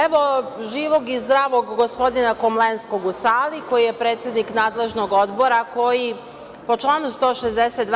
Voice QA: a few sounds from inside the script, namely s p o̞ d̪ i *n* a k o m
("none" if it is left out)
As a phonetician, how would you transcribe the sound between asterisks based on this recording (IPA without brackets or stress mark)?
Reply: n